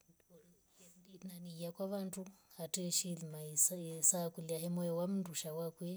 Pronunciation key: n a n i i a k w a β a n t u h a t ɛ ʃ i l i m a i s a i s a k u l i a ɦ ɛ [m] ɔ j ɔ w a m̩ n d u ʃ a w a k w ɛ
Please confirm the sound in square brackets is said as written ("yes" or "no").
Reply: yes